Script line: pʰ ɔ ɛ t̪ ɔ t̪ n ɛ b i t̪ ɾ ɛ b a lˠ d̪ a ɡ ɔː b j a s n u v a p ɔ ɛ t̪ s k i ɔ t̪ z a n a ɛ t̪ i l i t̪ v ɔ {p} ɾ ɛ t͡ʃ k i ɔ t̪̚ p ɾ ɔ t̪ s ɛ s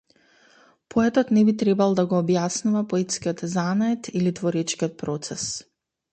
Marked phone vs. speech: incorrect: none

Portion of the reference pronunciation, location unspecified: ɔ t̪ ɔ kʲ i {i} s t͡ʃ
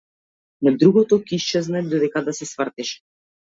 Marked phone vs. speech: correct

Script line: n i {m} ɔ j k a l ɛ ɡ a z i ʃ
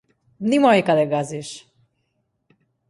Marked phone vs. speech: correct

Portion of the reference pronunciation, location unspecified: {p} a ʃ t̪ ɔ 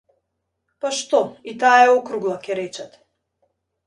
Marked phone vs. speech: correct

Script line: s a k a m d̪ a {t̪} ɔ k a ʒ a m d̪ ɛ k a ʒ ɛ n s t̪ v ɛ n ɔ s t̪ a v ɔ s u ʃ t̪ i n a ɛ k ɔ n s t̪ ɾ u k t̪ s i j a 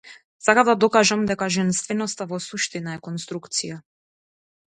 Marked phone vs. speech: incorrect: d̪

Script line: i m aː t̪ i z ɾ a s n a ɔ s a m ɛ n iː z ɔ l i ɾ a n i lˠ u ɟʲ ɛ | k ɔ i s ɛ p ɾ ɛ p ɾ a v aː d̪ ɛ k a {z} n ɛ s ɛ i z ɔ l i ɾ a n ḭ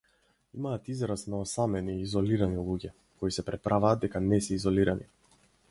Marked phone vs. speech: incorrect: none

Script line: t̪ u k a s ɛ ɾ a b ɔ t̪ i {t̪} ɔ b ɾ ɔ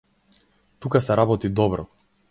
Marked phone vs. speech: incorrect: d̪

